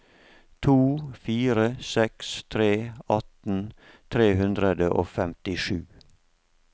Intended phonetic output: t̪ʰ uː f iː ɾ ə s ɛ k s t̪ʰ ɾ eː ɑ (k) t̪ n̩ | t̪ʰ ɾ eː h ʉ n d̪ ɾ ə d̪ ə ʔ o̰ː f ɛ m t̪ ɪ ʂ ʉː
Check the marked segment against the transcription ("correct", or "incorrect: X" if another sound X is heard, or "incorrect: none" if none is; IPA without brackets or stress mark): incorrect: none